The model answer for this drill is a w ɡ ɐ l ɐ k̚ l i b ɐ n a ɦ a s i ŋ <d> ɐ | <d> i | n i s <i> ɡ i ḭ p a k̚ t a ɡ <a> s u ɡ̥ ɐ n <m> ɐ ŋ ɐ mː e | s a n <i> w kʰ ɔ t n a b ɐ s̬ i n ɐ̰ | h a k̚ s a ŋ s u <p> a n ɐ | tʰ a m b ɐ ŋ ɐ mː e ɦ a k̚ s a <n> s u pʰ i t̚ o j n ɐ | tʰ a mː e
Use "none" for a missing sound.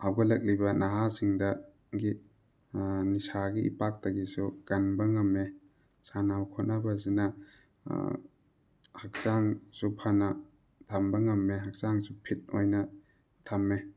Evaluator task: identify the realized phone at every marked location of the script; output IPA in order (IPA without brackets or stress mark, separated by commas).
d, ɡ, a, i, b, a, pʰ, ŋ